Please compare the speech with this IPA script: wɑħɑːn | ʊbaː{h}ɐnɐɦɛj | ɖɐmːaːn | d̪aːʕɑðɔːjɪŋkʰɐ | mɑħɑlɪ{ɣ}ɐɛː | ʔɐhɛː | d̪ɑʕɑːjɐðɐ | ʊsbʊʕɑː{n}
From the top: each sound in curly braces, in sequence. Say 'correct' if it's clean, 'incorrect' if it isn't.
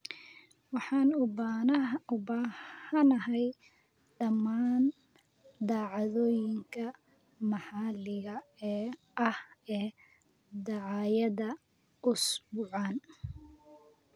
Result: correct, correct, correct

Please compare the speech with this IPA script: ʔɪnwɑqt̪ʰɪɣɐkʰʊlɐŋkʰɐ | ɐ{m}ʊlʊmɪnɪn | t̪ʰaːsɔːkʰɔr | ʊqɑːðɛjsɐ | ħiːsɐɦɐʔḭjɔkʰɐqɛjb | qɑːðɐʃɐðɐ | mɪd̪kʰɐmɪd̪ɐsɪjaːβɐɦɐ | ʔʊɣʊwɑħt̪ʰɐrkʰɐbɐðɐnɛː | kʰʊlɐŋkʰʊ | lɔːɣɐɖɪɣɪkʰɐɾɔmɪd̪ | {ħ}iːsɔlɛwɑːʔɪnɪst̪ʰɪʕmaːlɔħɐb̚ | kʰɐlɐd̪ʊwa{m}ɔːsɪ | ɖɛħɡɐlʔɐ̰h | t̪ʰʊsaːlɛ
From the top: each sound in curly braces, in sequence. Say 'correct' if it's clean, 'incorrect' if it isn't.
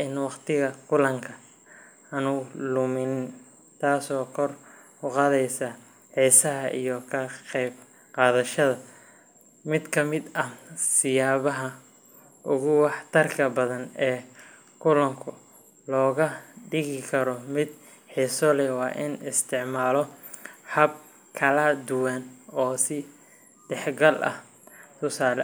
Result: incorrect: n, correct, incorrect: n

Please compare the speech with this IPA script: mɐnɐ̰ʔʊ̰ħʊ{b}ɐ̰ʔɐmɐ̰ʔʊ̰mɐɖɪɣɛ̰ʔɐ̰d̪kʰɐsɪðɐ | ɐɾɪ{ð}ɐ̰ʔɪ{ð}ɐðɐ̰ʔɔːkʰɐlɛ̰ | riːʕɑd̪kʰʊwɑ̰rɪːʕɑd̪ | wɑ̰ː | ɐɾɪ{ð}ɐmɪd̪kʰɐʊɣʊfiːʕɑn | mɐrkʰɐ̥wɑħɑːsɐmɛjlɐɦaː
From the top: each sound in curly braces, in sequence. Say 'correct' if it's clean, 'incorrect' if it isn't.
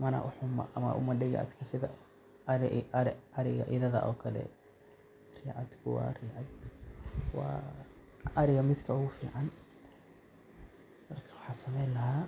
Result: incorrect: m, incorrect: ɣ, correct, incorrect: ɣ

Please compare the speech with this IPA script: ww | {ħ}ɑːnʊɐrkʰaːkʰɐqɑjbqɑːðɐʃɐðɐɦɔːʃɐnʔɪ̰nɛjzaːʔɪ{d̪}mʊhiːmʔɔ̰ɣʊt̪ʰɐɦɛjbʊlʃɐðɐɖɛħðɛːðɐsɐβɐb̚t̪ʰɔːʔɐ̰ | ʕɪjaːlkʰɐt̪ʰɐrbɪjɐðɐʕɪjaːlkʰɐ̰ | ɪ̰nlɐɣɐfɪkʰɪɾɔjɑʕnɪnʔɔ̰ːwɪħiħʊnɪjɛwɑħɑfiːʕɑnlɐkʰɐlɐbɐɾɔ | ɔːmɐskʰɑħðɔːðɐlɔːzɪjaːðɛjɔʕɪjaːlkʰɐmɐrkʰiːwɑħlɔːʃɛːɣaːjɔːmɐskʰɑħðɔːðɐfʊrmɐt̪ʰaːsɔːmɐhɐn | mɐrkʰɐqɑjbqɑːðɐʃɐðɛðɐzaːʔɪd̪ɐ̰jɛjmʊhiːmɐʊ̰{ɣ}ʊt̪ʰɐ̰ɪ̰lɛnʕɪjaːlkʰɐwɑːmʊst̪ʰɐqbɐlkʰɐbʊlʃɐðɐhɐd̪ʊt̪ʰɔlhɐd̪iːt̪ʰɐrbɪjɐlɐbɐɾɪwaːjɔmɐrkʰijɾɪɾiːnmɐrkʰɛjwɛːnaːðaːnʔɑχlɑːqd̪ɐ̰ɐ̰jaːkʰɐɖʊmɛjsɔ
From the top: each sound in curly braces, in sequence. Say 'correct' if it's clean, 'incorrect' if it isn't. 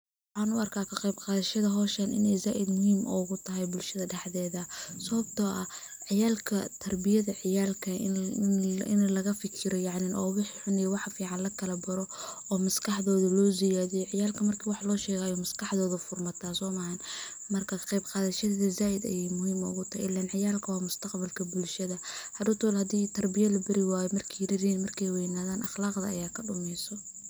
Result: correct, correct, correct

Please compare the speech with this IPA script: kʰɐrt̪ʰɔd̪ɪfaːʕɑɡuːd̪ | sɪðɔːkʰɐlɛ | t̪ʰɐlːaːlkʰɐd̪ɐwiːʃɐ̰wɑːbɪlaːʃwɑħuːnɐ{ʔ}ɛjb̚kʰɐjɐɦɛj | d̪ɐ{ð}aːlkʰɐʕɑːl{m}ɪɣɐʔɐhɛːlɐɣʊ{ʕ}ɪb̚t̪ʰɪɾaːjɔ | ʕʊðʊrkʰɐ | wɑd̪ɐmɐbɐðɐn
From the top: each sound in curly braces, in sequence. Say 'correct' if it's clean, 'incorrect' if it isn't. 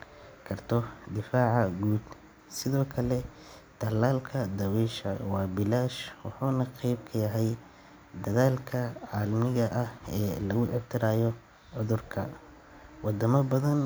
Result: incorrect: q, correct, correct, correct

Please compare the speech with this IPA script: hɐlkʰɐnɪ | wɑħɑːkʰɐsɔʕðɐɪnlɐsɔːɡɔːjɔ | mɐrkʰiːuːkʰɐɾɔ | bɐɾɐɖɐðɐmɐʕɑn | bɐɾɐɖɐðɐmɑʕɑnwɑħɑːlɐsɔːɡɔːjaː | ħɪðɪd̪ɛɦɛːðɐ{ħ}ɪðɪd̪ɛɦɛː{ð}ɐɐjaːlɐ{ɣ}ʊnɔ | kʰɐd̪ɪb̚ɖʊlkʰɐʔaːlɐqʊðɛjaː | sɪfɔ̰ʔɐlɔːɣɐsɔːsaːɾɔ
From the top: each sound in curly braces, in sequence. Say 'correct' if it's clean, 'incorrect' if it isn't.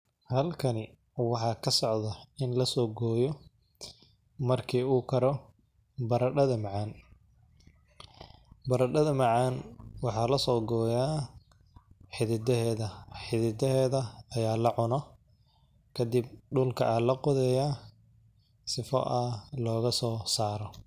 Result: correct, correct, incorrect: ʕ

